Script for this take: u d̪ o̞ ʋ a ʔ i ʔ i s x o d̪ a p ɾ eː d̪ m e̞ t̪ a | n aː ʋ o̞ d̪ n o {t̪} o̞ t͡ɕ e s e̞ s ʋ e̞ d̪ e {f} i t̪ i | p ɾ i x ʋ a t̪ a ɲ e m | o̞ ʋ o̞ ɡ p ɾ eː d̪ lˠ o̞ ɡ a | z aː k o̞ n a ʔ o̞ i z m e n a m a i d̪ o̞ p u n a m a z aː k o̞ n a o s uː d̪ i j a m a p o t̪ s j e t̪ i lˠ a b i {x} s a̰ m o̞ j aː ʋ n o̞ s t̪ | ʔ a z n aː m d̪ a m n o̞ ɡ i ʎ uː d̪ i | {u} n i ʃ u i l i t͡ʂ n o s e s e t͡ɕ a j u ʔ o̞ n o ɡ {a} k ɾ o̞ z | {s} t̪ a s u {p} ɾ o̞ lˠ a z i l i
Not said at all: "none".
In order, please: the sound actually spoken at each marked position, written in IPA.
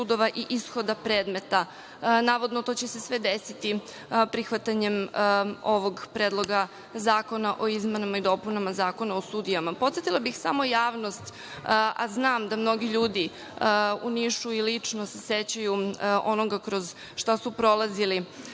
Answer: t̪, s, x, u, a, ʃ, p

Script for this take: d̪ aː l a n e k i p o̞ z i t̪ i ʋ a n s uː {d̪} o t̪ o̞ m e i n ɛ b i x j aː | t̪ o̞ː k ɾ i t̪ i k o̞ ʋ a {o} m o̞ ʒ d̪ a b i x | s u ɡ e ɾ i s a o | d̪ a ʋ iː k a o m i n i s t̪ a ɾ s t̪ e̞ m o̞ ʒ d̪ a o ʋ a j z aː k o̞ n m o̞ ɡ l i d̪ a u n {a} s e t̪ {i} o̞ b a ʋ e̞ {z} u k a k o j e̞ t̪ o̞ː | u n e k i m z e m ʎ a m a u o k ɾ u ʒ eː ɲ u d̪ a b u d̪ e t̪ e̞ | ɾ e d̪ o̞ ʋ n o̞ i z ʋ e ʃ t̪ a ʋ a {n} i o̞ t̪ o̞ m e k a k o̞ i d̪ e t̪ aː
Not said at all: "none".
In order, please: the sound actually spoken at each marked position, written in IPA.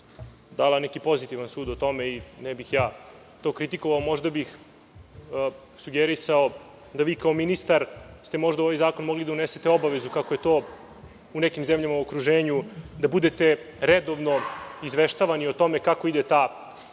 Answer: d̪, o, e, e, z, n

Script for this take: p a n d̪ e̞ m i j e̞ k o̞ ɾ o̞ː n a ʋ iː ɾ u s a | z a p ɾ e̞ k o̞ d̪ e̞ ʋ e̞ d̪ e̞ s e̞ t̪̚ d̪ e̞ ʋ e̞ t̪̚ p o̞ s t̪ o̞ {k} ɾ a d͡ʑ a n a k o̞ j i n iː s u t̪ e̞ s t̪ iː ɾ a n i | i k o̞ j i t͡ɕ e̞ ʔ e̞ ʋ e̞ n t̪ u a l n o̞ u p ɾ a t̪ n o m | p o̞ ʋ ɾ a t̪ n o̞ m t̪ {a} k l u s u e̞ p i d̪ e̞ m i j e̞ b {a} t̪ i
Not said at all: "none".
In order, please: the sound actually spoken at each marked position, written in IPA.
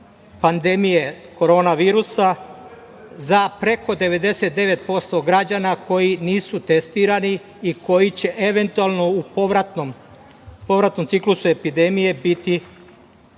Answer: ɡ, i, i

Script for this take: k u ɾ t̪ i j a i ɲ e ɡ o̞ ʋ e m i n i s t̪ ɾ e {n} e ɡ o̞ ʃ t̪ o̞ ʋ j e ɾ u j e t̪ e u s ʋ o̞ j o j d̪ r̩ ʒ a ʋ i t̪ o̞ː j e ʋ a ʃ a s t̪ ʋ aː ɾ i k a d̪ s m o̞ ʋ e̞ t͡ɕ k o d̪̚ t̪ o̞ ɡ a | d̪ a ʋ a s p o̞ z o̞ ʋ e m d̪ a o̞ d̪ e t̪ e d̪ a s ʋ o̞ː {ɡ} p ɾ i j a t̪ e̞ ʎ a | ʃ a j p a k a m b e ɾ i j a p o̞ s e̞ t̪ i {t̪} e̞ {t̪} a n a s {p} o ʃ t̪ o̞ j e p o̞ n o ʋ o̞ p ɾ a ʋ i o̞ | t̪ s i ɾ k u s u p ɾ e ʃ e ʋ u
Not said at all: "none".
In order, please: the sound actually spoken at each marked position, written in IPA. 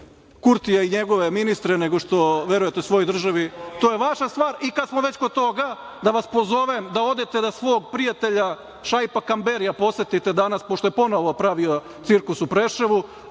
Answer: n, ɡ, t̪, d̪, p

